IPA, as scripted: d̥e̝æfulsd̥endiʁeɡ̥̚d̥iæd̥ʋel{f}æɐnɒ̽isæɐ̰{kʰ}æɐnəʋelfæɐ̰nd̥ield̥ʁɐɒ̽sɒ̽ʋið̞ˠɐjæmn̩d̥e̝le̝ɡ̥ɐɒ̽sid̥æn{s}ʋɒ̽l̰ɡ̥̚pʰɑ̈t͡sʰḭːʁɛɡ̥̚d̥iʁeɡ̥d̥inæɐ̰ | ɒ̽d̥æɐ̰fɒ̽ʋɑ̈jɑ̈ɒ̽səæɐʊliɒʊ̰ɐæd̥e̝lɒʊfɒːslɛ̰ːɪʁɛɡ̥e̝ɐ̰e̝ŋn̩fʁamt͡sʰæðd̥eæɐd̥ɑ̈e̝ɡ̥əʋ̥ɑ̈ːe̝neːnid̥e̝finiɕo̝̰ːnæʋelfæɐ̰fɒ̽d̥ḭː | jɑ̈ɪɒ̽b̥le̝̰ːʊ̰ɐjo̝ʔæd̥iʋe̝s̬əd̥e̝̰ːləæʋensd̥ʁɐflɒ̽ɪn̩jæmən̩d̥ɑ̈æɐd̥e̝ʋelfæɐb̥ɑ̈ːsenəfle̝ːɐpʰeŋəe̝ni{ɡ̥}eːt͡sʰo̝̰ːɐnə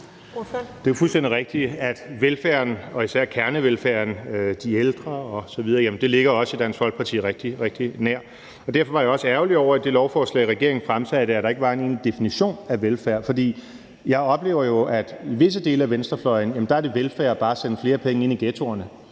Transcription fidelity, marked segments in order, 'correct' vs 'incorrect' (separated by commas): correct, correct, correct, correct